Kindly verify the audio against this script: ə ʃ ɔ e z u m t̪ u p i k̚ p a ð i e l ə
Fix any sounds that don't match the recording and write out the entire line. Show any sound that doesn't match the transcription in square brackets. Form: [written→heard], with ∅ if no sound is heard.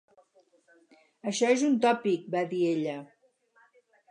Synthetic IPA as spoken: ə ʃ ɔ e z u [m→n] t̪ [u→ɔ] p i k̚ [p→b] a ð i e [l→ʎ] ə